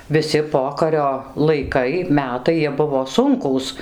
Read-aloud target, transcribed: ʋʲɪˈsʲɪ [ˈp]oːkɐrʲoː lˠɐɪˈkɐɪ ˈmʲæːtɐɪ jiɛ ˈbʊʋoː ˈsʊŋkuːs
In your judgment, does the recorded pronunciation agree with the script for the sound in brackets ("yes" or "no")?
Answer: yes